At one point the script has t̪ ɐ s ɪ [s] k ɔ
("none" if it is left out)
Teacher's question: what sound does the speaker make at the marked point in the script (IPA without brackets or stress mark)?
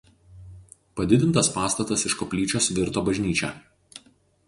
ʃ